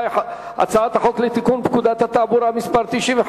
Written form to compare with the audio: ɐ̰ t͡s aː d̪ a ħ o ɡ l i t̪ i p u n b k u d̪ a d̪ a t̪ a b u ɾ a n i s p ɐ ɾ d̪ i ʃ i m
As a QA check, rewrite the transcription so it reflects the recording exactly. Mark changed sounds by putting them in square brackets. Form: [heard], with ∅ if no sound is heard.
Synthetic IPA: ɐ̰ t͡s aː [t̪] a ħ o [k] l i t̪ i [k] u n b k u d̪ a [t̪] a t̪ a b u ɾ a [m] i s p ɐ ɾ [t̪] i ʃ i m